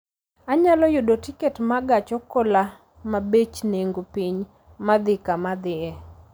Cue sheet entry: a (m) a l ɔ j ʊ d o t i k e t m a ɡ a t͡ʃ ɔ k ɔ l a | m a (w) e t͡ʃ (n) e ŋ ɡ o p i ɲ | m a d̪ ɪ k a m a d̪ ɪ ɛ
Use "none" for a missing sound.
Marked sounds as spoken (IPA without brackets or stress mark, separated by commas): ɲ, b, n